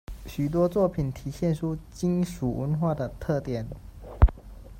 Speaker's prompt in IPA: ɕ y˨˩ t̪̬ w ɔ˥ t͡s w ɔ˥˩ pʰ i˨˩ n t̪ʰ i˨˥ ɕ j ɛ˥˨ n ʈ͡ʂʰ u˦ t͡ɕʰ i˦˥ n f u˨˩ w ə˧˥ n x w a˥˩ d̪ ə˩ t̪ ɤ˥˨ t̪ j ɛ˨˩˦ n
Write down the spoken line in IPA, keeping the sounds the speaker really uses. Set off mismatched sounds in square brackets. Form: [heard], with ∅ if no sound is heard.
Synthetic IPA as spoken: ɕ y˨˩ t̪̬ w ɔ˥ t͡s w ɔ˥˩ pʰ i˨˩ n t̪ʰ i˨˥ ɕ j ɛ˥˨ n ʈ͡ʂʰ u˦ [t͡ɕ] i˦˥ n [ʂ] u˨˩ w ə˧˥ n x w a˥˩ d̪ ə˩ [t̪ʰ] ɤ˥˨ t̪ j ɛ˨˩˦ n